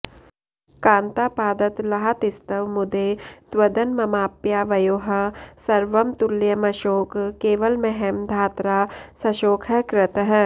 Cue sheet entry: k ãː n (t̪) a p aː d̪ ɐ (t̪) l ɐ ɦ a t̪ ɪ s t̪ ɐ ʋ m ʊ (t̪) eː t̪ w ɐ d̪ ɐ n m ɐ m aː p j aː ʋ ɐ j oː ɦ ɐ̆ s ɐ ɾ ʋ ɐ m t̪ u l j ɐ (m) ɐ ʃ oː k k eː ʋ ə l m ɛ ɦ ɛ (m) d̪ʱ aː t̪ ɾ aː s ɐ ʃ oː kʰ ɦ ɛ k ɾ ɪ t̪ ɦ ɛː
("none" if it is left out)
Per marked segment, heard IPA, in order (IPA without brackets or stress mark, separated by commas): t̪, t̪, d̪, m, m